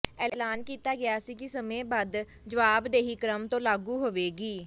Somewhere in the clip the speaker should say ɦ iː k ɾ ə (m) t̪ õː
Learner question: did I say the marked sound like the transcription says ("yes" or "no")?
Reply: yes